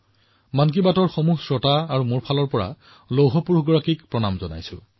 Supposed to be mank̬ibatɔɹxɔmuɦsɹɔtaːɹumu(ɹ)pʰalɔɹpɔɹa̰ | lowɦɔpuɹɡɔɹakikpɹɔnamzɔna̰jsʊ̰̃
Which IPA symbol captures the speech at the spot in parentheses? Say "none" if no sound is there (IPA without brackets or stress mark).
ɹ